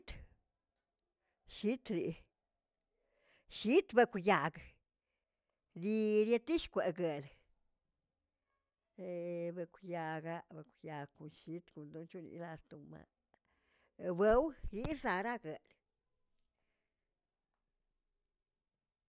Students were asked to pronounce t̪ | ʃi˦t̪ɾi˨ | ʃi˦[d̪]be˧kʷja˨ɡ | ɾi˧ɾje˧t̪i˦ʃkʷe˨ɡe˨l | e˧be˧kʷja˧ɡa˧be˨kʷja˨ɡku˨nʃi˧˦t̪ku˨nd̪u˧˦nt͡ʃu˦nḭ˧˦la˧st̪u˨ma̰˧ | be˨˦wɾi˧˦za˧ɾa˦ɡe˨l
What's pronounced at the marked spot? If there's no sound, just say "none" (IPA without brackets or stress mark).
t̪